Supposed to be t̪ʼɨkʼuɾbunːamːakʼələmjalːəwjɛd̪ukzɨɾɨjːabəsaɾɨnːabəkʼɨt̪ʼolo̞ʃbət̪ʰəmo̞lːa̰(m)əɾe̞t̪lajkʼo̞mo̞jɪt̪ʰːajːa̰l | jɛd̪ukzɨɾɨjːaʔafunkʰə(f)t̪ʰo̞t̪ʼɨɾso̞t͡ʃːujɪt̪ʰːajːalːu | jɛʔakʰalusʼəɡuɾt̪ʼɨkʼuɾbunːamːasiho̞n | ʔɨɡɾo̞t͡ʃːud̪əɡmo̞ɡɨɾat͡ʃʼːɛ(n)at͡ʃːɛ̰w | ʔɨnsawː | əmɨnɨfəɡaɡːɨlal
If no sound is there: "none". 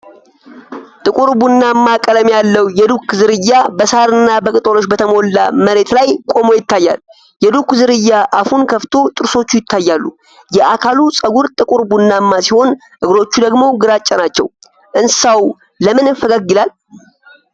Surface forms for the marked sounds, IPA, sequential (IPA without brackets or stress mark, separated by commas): m, f, n